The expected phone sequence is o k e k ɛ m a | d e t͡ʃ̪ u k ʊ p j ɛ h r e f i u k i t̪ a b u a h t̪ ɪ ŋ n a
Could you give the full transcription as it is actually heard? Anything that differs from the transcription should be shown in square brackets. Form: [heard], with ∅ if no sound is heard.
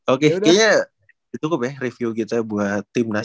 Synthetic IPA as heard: o k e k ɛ [ɲ] a | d [i] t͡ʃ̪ u k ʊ p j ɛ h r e f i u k i t̪ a b u a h t̪ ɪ [m] n a